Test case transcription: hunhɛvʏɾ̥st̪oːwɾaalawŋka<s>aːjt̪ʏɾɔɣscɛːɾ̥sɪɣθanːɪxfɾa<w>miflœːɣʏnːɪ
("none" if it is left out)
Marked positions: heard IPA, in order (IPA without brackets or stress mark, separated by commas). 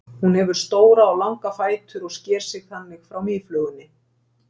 f, w